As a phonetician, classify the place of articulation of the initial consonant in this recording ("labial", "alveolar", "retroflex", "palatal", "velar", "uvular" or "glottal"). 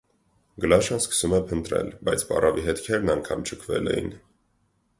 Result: velar